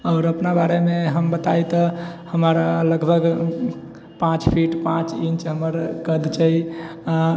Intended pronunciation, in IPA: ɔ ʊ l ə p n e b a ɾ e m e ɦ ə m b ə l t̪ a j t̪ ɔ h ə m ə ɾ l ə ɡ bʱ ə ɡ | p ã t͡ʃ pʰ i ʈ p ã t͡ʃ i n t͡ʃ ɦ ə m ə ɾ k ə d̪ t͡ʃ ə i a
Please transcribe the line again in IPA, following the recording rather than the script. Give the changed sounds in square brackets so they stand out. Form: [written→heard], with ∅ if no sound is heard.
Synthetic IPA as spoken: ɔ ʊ [l→ɾ] ə p n [e→a] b a ɾ e m e ɦ ə m b ə [l→∅] t̪ a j t̪ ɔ h ə m ə ɾ l ə ɡ bʱ ə ɡ | p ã t͡ʃ pʰ i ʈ p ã t͡ʃ i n t͡ʃ ɦ ə m ə ɾ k ə d̪ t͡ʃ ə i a